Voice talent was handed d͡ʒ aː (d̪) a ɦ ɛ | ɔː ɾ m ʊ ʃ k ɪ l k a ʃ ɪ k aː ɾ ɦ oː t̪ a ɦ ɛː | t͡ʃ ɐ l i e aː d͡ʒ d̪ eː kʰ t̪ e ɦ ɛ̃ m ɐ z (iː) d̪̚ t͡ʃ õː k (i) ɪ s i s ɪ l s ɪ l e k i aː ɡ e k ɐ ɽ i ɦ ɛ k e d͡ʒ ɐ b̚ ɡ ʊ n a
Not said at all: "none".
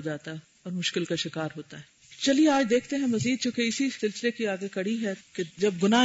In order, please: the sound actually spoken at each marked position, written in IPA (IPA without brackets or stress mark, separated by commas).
t̪, iː, e